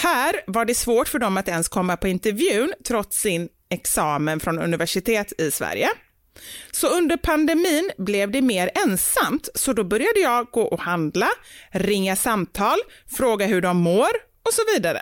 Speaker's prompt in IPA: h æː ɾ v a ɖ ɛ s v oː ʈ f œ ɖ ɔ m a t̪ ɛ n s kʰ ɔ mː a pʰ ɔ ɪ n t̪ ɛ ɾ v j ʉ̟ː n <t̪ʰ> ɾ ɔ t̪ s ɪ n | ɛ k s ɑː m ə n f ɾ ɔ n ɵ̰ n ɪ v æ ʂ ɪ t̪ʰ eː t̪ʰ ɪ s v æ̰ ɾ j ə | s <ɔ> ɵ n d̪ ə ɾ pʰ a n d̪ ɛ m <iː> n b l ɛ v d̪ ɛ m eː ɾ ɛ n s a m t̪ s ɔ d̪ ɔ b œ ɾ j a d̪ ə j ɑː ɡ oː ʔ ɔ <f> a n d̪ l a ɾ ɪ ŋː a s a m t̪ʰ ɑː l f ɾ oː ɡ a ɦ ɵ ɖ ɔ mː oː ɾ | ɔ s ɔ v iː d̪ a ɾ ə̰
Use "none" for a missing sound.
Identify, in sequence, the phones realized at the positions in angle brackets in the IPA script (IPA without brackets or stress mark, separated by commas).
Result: t̪ʰ, ɔ, iː, h